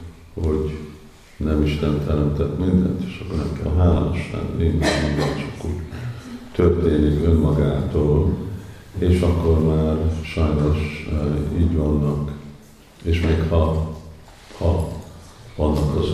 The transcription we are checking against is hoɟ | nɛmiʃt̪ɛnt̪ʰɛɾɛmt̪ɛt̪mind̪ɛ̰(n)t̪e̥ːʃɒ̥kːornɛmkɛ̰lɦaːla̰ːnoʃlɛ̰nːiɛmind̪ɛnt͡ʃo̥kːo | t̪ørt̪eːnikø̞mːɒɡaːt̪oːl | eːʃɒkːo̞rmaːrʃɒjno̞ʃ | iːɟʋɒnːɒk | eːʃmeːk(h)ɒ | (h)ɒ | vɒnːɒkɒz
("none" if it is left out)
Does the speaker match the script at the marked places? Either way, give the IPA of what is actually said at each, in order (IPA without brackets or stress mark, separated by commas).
n, h, h